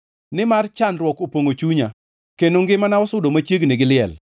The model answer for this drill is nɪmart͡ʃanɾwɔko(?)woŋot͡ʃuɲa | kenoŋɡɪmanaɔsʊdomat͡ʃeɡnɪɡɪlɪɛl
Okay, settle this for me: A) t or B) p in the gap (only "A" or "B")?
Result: B